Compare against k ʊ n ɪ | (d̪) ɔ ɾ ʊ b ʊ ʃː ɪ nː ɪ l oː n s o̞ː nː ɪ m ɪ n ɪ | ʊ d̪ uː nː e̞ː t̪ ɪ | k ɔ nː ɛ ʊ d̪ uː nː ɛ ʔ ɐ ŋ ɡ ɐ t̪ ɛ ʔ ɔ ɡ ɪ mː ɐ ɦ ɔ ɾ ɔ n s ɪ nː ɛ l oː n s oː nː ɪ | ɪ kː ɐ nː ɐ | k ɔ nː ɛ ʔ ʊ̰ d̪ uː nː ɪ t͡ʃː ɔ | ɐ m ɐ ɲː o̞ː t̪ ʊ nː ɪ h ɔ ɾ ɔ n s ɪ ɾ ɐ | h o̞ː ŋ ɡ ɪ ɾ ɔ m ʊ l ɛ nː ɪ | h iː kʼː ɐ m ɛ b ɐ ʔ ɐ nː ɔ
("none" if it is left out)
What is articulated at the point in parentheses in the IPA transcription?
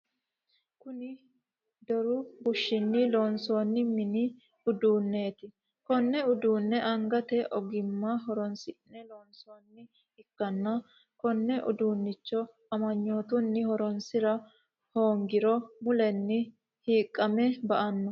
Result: d̪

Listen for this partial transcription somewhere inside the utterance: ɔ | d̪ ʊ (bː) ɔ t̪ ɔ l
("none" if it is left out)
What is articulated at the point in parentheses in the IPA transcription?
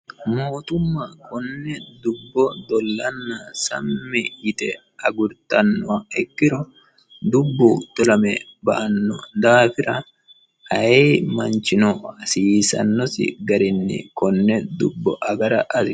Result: bː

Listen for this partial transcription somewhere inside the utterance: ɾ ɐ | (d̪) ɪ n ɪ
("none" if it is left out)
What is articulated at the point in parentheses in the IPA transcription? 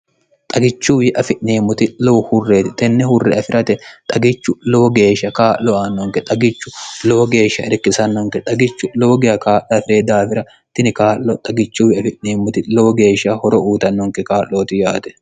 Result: t̪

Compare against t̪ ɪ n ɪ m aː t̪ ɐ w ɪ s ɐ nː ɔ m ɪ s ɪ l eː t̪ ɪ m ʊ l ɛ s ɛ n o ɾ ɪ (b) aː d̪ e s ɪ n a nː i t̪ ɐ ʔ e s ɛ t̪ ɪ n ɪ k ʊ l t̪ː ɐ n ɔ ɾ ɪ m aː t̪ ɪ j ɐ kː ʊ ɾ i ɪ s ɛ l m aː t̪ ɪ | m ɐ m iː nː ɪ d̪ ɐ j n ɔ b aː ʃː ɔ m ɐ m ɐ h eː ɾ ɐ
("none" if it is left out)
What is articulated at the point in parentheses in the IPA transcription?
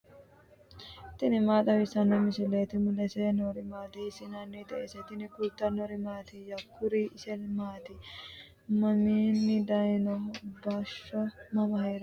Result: m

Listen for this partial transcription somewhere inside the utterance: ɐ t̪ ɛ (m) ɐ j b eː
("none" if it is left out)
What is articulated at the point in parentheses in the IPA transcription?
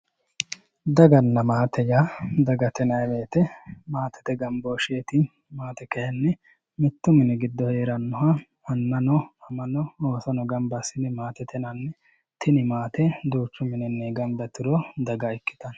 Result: n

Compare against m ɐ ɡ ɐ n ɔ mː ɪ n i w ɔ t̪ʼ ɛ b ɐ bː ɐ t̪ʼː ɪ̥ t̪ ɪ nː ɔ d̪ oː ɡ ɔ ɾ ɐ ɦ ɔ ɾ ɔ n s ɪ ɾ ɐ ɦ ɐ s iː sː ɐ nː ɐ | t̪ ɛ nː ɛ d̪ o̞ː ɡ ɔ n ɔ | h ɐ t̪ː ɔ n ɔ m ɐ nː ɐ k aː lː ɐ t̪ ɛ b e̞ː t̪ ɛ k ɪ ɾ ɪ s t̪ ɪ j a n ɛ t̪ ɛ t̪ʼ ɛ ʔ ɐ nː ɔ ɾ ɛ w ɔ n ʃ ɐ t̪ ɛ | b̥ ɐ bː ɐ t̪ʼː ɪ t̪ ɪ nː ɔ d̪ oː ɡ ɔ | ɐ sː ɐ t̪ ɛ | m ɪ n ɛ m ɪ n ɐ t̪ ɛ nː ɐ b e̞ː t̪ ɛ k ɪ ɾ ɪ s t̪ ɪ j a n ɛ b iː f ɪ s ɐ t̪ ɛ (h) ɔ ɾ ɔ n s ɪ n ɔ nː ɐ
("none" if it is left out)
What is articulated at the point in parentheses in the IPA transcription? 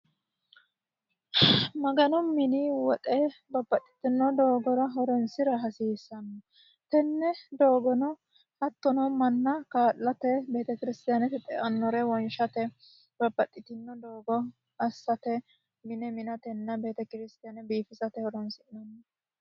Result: h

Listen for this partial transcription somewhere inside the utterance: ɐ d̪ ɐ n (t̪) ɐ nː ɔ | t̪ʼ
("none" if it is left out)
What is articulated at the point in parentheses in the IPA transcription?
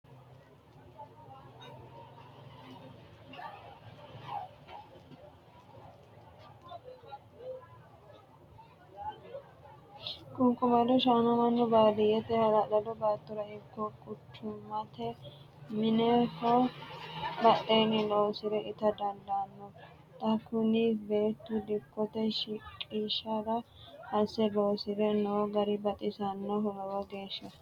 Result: d̪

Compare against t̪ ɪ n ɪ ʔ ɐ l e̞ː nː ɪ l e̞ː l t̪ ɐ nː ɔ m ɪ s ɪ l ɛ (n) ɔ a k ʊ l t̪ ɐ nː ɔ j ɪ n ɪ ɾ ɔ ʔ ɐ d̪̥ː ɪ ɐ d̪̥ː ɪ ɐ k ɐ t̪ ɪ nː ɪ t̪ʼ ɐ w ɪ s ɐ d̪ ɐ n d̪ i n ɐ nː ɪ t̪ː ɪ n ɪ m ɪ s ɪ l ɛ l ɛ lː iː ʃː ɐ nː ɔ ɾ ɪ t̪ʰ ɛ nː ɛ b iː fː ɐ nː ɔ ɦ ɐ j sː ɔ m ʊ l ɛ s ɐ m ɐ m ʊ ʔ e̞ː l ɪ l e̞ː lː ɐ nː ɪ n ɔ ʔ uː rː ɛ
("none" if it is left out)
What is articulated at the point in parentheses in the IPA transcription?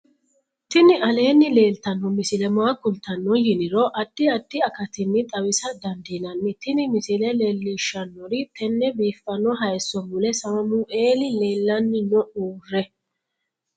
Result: m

